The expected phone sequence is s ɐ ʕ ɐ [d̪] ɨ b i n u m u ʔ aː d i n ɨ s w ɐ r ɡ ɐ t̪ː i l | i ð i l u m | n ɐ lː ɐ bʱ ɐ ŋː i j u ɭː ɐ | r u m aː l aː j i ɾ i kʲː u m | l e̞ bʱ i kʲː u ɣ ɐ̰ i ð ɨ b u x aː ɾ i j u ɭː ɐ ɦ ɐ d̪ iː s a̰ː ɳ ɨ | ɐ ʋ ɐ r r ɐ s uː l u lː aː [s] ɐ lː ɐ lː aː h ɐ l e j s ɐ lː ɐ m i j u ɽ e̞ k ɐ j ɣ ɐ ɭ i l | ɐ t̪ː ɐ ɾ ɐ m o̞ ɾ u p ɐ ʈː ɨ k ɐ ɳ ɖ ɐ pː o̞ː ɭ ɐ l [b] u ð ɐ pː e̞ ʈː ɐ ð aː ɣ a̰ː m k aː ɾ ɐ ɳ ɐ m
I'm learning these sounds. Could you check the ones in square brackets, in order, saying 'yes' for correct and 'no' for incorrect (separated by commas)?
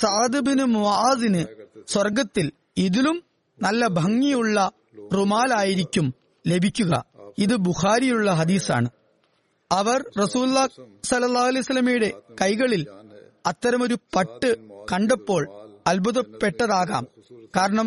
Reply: yes, yes, yes